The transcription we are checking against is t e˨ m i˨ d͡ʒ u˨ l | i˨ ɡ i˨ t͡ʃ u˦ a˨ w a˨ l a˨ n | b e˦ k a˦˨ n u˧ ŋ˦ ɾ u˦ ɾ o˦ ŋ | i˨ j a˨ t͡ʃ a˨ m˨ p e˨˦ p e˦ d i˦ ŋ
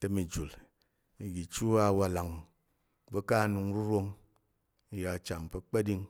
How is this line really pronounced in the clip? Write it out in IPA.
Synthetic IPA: t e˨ m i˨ d͡ʒ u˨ l | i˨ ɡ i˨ t͡ʃ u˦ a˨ w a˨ l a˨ ŋ | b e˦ k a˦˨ n u˧ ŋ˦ ɾ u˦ ɾ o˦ ŋ | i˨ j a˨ t͡ʃ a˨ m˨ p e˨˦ k͡p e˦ d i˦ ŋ